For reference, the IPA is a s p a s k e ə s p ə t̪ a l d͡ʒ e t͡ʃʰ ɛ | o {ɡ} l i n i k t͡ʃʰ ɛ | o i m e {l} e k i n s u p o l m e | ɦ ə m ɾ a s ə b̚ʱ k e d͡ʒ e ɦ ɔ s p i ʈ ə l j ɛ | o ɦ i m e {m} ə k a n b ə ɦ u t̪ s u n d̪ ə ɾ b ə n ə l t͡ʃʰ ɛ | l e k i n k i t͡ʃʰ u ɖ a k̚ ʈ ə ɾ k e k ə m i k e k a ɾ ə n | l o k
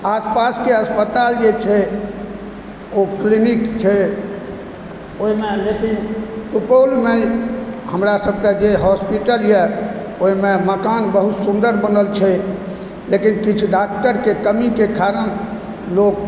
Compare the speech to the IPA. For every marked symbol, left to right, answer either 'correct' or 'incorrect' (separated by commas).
incorrect, correct, correct